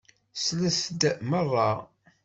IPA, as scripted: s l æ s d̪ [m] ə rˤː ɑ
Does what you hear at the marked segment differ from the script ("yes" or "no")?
no